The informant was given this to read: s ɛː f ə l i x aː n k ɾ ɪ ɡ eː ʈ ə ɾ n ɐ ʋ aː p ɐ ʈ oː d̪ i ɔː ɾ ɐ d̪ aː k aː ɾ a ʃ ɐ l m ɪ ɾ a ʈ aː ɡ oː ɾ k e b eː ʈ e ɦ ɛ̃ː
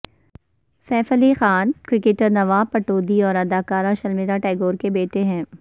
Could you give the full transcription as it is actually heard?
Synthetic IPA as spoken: s ɛː f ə l i x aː n k ɾ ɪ k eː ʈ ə ɾ n ɐ ʋ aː p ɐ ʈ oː d̪ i ɔː ɾ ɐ d̪ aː k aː ɾ a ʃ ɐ l m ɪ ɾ a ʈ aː ɡ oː ɾ k e b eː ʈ e ɦ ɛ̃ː